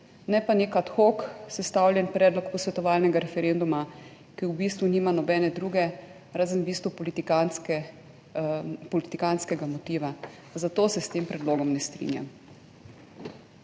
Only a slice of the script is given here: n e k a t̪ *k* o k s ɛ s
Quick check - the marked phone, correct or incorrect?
incorrect